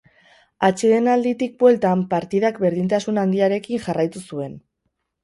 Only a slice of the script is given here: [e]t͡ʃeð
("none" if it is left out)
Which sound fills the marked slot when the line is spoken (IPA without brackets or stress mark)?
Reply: a